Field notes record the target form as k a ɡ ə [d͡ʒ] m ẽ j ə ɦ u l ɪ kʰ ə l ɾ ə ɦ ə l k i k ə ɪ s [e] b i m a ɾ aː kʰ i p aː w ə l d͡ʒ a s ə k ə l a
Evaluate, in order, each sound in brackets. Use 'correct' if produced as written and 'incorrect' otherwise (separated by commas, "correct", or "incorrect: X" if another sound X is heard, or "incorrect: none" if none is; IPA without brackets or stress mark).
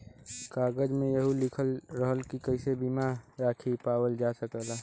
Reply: correct, correct